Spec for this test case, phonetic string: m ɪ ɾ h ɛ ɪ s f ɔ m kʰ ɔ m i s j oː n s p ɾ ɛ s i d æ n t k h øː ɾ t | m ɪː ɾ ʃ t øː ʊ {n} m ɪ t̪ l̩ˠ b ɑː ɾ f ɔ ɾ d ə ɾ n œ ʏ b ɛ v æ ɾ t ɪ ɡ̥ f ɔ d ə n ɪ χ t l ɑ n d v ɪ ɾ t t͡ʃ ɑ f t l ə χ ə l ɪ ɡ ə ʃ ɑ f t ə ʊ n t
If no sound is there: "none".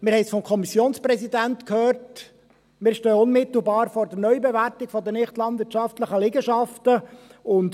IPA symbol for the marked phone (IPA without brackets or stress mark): n